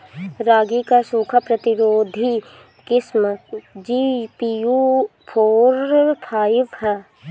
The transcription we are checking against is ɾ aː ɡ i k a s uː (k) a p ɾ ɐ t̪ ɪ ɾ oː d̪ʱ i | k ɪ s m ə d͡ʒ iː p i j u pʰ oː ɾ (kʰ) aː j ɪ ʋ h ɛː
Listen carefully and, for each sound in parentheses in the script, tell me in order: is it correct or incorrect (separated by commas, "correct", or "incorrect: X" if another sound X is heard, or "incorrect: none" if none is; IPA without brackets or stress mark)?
incorrect: kʰ, incorrect: pʰ